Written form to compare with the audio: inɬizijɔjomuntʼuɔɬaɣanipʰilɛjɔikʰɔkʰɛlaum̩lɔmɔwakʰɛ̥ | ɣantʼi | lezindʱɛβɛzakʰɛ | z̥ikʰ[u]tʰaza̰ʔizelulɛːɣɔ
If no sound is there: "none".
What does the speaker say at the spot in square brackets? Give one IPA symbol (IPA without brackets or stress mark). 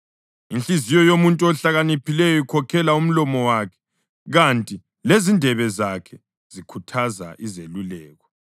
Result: u